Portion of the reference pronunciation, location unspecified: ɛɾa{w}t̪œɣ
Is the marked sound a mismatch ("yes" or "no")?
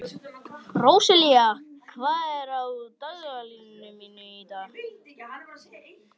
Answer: no